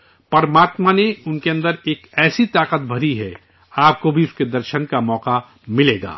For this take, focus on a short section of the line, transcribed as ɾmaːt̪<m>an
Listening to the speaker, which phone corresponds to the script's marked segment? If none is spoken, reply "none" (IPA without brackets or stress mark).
m